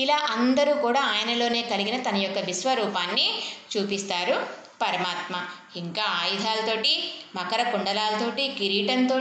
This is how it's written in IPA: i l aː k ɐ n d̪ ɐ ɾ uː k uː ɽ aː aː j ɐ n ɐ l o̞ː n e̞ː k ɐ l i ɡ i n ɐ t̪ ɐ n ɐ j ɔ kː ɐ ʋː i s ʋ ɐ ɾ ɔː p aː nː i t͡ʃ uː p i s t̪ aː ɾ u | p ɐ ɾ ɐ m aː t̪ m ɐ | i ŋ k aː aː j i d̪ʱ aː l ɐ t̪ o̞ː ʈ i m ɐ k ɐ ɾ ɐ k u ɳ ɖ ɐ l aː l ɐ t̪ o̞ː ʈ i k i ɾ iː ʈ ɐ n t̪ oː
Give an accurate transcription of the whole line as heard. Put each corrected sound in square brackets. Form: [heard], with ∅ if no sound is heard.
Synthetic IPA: i l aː [ʔ] ɐ n d̪ ɐ ɾ uː k uː ɽ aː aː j ɐ n ɐ l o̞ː n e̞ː k ɐ l i ɡ i n ɐ t̪ ɐ n ɐ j ɔ kː ɐ [ʋ] i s ʋ ɐ ɾ [uː] p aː nː i t͡ʃ uː p i s t̪ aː ɾ u | p ɐ ɾ ɐ m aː t̪ m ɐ | i ŋ k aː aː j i d̪ʱ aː l ɐ t̪ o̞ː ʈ i m ɐ k ɐ ɾ ɐ k u ɳ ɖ ɐ l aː l ɐ t̪ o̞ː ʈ i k i ɾ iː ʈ ɐ n t̪ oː